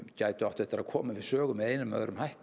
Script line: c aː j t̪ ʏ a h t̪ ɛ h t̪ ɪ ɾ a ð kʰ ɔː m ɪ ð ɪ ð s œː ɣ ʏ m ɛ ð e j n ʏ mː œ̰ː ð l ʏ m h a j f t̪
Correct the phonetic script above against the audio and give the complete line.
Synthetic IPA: c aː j t̪ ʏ a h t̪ ɛ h t̪ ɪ ɾ a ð kʰ ɔː m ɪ v ɪ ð s œː ɣ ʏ m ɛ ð e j n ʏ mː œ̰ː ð ɾ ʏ m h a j h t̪